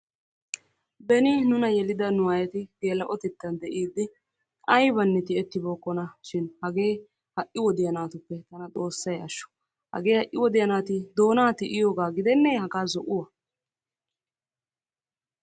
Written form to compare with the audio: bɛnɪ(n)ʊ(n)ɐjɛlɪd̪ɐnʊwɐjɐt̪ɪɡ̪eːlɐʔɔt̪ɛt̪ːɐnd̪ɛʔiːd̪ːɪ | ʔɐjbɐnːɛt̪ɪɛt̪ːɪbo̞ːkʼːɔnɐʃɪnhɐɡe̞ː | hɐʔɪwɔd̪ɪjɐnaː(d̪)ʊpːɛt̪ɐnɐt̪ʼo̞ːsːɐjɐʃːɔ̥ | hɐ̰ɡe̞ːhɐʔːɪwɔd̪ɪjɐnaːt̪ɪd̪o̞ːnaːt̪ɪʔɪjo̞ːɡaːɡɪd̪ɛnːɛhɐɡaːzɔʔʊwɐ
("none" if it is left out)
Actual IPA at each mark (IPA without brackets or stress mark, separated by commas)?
n, n, t̪